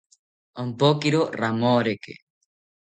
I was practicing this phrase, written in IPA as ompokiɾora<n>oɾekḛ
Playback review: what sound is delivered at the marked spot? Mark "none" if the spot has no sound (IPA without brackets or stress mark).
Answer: m